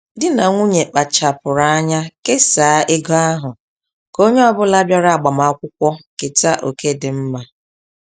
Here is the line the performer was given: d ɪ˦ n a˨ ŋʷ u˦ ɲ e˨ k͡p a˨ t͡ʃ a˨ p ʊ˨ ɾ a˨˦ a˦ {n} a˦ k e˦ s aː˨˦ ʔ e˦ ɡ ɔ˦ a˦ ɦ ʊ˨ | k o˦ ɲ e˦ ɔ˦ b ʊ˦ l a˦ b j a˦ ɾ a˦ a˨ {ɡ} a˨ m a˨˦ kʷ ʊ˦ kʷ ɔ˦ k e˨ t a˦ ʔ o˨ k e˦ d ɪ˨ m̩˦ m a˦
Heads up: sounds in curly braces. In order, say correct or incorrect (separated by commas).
incorrect, incorrect